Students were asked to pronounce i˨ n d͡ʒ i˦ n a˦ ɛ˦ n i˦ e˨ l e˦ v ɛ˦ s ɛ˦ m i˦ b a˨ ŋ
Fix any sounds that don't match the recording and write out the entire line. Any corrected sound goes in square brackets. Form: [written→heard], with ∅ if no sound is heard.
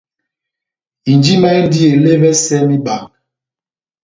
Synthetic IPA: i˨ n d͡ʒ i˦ [n→m] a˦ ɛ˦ [n→d] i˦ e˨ l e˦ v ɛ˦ s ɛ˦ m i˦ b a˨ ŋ